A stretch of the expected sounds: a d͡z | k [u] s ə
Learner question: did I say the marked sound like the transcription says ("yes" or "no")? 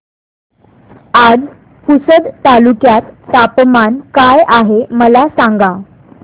yes